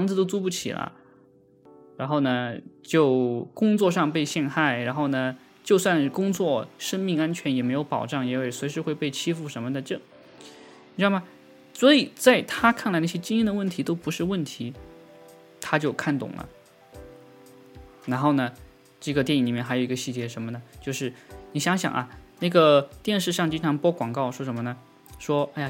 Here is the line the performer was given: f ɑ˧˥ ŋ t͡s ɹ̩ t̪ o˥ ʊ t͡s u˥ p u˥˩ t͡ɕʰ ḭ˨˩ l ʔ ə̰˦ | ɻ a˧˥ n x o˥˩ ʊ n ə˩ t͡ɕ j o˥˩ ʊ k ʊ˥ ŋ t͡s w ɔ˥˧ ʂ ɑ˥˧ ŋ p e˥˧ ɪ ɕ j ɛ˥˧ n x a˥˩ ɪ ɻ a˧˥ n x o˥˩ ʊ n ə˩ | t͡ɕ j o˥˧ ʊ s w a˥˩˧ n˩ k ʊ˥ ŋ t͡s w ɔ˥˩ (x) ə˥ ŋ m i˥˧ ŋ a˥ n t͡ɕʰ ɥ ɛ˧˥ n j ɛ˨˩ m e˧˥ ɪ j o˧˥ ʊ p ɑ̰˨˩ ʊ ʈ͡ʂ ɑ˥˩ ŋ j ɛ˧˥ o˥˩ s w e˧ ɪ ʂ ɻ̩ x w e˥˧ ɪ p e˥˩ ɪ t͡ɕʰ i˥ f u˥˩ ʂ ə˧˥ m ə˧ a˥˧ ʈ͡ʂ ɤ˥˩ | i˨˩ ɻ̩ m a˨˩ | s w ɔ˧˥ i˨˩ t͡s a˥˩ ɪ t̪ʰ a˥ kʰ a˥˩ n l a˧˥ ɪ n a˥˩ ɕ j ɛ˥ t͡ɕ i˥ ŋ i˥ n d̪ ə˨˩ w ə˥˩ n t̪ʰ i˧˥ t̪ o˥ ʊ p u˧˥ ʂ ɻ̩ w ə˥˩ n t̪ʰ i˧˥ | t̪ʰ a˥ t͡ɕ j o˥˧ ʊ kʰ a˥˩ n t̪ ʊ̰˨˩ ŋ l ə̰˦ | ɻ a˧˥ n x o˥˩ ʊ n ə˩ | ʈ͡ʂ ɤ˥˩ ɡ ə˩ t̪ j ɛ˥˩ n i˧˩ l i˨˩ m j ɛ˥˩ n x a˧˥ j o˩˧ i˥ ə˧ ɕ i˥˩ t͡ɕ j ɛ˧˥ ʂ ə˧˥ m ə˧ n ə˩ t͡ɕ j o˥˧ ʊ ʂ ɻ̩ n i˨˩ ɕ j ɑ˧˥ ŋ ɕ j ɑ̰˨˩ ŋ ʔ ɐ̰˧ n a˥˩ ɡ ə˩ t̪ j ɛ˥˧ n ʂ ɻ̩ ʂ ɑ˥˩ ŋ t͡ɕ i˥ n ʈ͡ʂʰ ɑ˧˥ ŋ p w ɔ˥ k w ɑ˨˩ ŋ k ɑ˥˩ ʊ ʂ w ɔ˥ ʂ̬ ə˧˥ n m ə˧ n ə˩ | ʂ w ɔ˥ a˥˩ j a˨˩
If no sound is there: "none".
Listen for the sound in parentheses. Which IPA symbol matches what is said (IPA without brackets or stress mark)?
ʂ